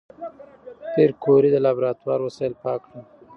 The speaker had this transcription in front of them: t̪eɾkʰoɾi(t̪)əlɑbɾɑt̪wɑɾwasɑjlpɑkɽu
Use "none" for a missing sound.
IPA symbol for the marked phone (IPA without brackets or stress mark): d̪